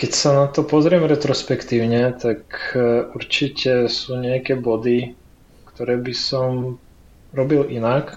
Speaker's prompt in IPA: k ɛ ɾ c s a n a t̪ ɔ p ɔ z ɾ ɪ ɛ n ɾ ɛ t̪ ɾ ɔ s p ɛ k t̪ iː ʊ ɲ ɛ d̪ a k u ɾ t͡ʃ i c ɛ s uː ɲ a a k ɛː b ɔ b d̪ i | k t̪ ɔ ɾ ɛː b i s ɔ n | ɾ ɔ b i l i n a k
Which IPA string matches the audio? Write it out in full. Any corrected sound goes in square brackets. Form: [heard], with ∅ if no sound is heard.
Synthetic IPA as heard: k ɛ [∅] c s a n a t̪ ɔ p ɔ z ɾ ɪ ɛ [m] ɾ ɛ t̪ ɾ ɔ s p ɛ k t̪ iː ʊ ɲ ɛ [t̪] a k u ɾ t͡ʃ i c ɛ s uː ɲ [ɛ] a k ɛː b ɔ [∅] d̪ i | k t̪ ɔ ɾ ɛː b i s ɔ [m] | ɾ ɔ b i l i n a k